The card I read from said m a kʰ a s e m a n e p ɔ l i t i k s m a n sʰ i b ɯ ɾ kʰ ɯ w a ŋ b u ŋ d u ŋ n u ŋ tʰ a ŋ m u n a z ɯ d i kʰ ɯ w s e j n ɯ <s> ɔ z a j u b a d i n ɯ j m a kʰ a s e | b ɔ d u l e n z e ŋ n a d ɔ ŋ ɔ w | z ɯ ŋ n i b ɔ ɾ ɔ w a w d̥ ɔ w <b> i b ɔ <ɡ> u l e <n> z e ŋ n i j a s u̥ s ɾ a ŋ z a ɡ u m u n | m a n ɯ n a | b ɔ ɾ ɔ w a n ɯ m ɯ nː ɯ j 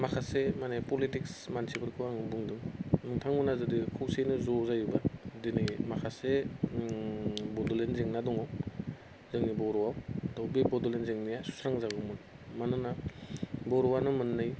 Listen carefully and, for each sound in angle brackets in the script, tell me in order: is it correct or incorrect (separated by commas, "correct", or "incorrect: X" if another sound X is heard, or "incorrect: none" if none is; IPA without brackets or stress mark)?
incorrect: z, correct, incorrect: d, correct